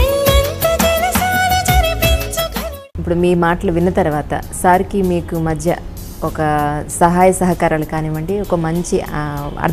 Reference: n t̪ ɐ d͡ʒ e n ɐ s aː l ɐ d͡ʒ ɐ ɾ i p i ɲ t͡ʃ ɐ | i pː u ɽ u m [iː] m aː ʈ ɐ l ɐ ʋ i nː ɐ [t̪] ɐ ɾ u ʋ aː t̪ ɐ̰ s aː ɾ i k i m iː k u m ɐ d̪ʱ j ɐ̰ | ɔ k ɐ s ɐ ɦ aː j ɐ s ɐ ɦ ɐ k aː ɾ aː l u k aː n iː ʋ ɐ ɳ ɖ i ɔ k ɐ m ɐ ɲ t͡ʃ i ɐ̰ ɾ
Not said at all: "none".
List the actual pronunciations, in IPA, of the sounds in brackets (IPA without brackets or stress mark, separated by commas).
iː, t̪